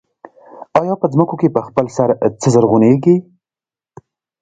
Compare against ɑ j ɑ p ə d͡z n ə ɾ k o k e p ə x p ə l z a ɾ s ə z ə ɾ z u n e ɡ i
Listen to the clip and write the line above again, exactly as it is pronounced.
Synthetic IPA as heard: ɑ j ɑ p ə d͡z m ə k o k e p ə x p ə l s a ɾ t͡s ə z ə ɾ ɣ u n e ɡ i